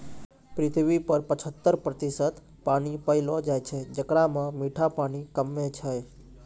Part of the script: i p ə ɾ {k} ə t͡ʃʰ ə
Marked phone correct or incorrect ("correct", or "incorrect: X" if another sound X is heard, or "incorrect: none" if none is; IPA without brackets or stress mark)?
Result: incorrect: p